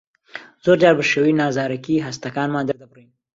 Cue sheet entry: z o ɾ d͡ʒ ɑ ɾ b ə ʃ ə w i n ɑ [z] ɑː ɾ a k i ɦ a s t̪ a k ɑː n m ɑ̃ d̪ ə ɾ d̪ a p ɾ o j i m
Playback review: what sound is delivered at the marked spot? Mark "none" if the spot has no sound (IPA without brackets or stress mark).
z